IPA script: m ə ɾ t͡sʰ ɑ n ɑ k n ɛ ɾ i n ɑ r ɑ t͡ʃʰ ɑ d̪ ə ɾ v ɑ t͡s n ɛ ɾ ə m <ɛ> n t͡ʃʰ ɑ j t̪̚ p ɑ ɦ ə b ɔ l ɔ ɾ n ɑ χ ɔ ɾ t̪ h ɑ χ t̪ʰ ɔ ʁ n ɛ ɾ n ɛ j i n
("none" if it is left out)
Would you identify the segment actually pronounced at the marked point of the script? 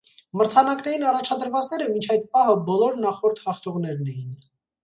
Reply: i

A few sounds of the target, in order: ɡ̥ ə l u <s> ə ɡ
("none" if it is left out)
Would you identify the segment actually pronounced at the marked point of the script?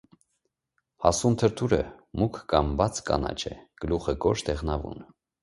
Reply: χ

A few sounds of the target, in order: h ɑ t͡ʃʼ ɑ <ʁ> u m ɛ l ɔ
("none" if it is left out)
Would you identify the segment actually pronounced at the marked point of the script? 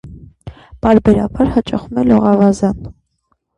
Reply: χ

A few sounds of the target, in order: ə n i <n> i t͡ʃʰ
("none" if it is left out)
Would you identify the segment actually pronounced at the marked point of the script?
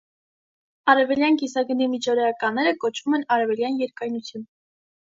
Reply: m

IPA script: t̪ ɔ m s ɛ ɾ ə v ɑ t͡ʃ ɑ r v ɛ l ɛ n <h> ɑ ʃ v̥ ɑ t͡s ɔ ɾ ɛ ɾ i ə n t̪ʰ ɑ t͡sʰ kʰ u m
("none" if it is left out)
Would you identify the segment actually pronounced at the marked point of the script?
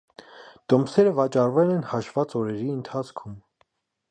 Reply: h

